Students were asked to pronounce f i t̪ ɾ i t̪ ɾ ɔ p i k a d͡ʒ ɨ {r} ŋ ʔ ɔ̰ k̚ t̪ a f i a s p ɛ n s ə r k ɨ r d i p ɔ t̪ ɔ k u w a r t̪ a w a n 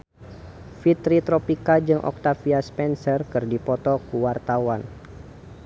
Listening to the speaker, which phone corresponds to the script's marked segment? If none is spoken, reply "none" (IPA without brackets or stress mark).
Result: none